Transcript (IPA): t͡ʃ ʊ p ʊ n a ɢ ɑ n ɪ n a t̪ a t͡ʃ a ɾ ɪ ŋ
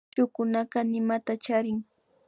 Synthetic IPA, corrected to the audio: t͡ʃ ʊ k ʊ n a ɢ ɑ n ɪ m a t̪ a t͡ʃ a ɾ ɪ ŋ